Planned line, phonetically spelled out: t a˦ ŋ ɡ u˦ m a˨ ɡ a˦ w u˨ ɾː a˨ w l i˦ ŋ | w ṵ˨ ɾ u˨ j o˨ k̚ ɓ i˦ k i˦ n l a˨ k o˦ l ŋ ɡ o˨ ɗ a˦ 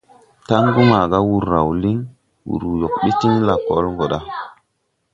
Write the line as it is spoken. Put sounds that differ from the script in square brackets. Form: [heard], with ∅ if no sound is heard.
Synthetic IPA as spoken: t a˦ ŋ ɡ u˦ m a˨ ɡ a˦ w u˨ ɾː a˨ w l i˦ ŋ | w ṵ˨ ɾ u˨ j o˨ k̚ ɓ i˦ [t] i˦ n l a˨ k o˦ l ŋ ɡ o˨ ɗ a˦